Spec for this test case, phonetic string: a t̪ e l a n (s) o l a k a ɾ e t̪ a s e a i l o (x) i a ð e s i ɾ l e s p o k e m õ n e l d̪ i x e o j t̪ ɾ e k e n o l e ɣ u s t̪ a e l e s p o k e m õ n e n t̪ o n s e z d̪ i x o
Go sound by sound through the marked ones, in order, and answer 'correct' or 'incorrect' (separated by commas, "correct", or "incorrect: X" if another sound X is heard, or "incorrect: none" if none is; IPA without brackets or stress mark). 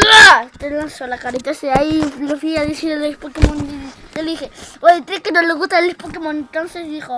correct, incorrect: f